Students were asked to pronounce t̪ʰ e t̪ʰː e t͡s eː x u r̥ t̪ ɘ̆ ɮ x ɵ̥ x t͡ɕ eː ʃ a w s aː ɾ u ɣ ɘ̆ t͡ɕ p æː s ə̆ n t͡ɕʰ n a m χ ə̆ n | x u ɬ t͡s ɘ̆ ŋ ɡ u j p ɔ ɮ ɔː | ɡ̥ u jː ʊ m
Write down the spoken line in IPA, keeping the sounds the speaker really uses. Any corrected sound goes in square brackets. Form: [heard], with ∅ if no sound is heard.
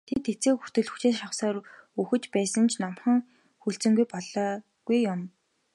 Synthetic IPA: t̪ʰ e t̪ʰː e t͡s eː x u r̥ t̪ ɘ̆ ɮ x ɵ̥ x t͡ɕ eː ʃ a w s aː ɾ u [x] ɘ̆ t͡ɕ p æː s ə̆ n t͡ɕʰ n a m χ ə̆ [ŋ] | x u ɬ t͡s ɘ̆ ŋ ɡ u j p ɔ ɮ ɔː | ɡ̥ u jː ʊ m